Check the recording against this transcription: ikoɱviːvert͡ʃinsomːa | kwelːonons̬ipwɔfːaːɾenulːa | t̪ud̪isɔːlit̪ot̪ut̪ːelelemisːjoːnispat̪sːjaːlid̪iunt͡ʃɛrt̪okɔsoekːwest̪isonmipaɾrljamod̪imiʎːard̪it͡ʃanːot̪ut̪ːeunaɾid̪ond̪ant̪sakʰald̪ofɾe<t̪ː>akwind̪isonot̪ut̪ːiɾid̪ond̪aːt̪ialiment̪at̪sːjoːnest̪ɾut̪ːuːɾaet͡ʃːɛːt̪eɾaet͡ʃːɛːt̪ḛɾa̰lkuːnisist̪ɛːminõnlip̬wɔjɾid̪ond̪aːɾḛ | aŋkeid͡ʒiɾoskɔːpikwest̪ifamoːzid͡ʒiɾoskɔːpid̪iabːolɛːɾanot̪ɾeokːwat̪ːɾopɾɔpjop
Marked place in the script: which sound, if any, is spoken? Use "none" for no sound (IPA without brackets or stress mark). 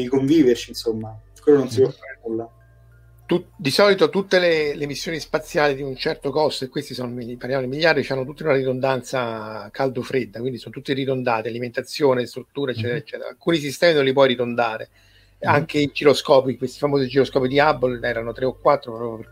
d̪ː